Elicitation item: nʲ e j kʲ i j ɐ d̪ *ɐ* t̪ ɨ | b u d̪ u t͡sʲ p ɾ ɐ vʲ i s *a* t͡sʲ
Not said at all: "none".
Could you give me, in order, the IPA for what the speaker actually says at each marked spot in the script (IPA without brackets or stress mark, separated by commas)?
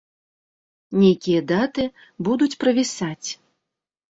a, a